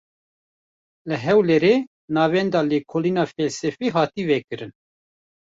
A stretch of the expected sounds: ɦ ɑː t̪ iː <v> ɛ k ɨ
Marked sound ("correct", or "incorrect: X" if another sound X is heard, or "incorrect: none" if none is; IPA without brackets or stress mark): correct